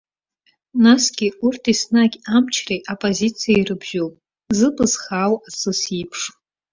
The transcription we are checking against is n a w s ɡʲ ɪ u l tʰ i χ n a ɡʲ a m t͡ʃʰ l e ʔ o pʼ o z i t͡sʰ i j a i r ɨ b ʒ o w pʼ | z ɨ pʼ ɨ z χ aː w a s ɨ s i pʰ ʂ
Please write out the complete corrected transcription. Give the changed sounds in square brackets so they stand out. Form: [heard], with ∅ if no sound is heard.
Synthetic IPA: n a [∅] s ɡʲ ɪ u [r] tʰ i [s] n a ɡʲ a m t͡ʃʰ [r] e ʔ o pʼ o z i t͡sʰ i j a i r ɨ b ʒ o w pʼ | z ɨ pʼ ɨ z χ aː w a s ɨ s i pʰ ʂ